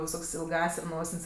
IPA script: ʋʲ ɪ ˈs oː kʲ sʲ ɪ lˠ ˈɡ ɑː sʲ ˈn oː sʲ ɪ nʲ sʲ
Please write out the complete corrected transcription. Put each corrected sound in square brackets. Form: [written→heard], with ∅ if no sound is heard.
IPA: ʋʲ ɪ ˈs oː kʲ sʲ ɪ lˠ ˈɡ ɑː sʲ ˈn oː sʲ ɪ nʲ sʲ